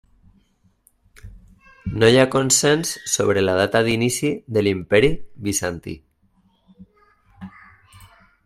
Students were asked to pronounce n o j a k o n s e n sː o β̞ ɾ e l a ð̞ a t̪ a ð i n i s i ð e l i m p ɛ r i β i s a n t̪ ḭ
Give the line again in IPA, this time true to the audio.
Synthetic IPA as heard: n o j a k o n s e n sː o β̞ ɾ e l a ð̞ a t̪ a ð i n i s i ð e l i m p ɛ ɾ i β i s a n t̪ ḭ